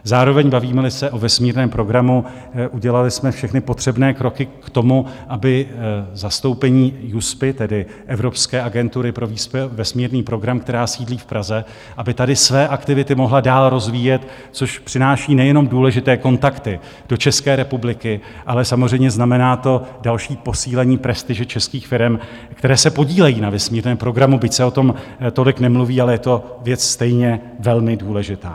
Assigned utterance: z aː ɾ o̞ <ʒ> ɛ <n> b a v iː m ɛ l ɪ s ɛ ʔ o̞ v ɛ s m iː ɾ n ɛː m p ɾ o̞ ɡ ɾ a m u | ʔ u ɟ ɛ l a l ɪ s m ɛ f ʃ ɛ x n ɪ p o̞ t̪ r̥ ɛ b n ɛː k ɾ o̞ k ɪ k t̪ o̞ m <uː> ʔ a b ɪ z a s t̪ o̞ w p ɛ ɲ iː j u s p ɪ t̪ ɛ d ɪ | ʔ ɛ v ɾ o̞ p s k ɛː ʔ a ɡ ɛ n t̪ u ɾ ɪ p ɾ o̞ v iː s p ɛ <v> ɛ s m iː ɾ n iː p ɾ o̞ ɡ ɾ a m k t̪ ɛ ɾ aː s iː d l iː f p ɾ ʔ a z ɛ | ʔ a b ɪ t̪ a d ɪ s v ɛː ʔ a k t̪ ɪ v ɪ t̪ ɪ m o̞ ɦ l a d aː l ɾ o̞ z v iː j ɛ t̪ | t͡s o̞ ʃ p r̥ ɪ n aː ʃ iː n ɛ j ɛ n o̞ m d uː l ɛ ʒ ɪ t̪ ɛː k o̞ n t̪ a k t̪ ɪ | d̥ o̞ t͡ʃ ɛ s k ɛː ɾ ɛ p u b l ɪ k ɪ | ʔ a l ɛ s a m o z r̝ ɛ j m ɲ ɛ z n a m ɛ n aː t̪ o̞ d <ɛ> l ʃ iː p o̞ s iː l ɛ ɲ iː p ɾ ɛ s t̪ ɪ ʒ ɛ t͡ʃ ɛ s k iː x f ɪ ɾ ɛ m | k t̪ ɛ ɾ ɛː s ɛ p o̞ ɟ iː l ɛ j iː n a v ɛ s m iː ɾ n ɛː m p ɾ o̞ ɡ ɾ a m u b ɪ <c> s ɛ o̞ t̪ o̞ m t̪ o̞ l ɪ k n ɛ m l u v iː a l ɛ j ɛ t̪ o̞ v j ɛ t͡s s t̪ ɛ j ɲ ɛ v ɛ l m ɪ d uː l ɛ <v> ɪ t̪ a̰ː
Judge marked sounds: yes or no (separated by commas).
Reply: no, no, no, yes, no, yes, no